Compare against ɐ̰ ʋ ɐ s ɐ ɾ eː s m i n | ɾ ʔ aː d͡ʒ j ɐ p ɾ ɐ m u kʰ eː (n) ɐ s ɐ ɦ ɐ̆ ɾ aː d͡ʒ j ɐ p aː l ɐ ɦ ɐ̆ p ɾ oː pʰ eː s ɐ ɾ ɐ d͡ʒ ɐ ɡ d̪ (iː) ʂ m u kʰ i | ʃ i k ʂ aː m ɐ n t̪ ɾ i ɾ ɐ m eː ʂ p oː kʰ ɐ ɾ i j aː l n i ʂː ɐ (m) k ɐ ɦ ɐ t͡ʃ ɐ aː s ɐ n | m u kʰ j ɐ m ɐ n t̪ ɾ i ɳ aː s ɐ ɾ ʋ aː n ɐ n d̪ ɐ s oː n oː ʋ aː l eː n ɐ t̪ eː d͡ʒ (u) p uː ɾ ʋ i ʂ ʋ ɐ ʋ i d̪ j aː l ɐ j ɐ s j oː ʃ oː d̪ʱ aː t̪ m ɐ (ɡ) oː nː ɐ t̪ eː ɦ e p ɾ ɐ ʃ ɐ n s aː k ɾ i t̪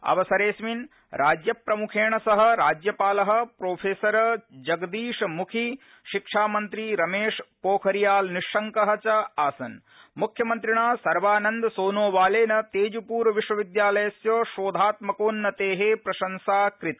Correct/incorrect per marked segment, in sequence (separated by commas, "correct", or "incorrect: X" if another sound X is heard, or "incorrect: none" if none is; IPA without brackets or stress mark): incorrect: ɳ, correct, incorrect: ŋ, correct, incorrect: k